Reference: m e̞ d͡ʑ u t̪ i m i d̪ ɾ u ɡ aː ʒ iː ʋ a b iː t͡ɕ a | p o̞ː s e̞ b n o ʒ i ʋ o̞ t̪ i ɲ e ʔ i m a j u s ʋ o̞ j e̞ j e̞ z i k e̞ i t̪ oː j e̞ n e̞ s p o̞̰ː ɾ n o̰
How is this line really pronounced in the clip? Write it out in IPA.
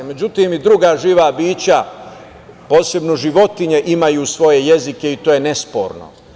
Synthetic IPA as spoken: m e̞ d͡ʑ u t̪ i m i d̪ ɾ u ɡ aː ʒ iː ʋ a b iː t͡ɕ a | p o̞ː s e̞ b n o ʒ i ʋ o̞ t̪ i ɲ e ʔ i m a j u s ʋ o̞ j e̞ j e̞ z i k e̞ i t̪ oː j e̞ n e̞ s p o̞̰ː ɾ n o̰